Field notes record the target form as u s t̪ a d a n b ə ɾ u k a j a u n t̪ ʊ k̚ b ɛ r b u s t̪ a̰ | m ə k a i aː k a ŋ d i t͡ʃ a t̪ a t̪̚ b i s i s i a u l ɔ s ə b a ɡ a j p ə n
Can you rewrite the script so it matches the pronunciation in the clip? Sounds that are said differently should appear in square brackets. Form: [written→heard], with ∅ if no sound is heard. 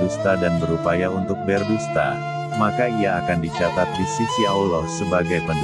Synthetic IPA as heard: u s t̪ a d a n b ə ɾ u [k→p] a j a u n t̪ ʊ k̚ b ɛ r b u s t̪ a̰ | m [ə→a] k a i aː k a [ŋ→n] d i t͡ʃ a t̪ a t̪̚ [b→d] i s i s i a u l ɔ s ə b a ɡ a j p ə n